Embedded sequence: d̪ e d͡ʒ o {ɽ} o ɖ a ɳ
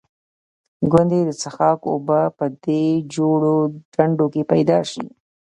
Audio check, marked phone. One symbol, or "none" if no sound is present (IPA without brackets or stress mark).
ɽ